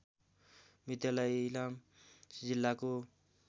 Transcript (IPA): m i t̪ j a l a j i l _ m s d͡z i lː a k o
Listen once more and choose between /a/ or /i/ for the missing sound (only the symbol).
a